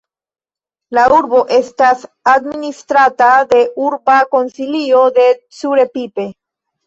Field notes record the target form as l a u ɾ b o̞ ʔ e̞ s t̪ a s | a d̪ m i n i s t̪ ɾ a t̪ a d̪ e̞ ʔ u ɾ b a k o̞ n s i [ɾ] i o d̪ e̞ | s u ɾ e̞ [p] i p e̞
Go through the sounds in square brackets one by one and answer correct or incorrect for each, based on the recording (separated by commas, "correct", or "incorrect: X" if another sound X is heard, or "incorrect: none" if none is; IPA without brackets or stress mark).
incorrect: l, correct